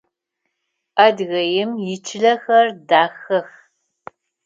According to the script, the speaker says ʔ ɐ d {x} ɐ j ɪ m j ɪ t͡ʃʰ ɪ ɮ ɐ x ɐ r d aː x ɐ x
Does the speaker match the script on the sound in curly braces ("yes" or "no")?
no